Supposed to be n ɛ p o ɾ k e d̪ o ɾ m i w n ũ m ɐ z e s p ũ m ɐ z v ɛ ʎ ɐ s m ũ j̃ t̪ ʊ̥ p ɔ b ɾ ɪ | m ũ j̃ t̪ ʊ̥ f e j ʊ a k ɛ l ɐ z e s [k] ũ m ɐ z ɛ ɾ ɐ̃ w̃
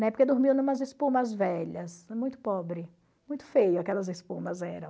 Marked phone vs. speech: incorrect: p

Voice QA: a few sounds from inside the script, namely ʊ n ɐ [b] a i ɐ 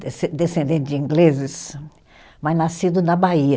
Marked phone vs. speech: correct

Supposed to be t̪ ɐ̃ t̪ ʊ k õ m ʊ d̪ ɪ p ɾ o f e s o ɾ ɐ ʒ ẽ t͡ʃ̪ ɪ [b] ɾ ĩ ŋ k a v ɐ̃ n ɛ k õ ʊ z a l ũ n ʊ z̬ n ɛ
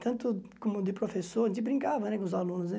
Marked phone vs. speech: correct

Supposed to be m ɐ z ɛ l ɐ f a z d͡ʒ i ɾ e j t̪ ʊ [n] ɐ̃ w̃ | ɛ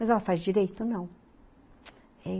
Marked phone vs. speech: correct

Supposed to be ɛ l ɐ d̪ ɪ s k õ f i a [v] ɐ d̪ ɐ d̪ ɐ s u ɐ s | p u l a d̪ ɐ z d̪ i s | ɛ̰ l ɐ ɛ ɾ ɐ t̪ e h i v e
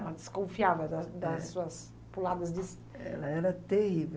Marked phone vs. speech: correct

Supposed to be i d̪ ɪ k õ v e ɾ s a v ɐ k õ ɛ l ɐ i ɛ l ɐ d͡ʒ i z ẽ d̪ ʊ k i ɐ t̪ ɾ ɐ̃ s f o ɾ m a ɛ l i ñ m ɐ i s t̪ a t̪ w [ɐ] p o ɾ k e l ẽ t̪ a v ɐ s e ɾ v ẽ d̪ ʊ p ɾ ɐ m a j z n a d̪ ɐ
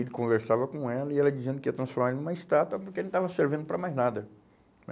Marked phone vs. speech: correct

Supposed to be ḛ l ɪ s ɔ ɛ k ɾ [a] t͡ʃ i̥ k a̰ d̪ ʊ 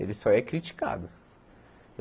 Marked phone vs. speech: incorrect: i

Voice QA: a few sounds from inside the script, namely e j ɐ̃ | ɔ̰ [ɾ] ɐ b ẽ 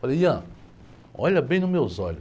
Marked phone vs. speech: incorrect: ʎ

